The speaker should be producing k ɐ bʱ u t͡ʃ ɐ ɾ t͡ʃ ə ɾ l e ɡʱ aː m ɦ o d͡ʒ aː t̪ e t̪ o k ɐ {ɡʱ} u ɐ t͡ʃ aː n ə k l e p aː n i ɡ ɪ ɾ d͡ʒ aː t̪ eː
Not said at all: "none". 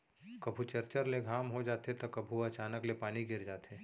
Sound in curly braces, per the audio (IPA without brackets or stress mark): bʱ